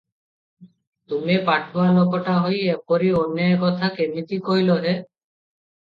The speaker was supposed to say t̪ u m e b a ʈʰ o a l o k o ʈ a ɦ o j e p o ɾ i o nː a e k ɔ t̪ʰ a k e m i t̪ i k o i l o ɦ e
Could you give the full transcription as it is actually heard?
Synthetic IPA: t̪ u m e p a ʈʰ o a l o k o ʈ a ɦ o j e p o ɾ i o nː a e k ɔ t̪ʰ a k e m i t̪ i k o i l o ɦ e